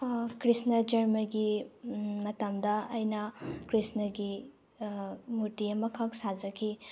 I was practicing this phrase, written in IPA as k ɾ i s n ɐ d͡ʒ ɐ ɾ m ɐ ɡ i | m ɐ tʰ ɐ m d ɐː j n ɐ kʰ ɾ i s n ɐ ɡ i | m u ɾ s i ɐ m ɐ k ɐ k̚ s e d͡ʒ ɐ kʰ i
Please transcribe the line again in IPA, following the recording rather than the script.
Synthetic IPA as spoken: k ɾ i s n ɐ d͡ʒ ɐ ɾ m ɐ ɡ i | m ɐ t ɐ m d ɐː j n ɐ k ɾ i s n ɐ ɡ i | m u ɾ t i ɐ m ɐ kʰ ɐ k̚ s a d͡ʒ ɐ kʰ i